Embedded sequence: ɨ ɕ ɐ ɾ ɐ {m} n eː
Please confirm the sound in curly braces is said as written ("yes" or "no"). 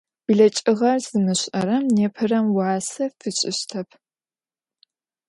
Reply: yes